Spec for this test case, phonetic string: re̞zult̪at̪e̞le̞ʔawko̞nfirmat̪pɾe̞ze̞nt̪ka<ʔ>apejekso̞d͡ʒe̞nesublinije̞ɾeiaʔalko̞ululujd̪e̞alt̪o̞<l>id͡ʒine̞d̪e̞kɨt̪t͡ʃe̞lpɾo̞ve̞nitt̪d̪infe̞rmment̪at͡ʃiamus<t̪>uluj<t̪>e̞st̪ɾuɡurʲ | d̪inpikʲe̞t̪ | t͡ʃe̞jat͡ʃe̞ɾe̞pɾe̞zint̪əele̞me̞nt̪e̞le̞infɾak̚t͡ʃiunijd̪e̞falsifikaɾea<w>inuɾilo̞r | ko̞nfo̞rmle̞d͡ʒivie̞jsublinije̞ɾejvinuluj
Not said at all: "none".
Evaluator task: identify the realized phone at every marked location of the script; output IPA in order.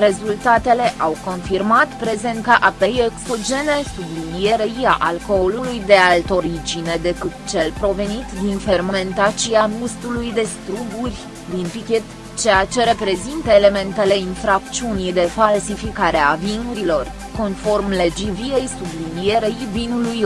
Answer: ʔ, ɾ, t̪, d̪, v

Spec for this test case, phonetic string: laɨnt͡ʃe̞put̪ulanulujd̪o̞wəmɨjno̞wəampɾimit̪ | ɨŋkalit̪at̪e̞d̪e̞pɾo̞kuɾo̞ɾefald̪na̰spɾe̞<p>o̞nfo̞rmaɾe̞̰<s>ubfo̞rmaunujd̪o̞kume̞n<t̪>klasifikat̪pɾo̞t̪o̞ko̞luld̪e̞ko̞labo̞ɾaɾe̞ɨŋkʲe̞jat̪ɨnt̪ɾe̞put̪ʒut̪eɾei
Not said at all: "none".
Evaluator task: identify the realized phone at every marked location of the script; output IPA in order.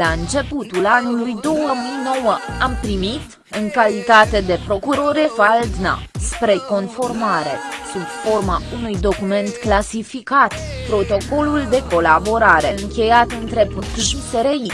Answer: k, s, t̪

